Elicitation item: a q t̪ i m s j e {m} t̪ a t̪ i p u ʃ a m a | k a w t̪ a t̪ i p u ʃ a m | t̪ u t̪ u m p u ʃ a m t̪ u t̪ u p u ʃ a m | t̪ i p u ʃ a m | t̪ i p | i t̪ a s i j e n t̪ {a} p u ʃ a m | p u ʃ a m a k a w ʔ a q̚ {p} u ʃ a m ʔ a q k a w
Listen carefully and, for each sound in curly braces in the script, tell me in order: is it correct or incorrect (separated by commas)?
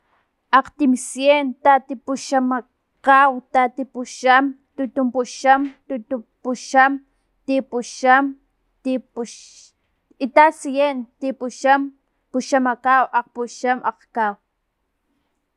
incorrect, incorrect, correct